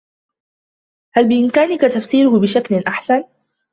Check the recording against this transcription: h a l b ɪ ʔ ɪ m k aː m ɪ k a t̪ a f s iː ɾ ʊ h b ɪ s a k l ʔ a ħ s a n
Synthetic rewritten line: h a l b ɪ ʔ ɪ m k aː n ɪ k a t̪ a f s iː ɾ ʊ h b ɪ ʃ a k l ʔ a ħ s a n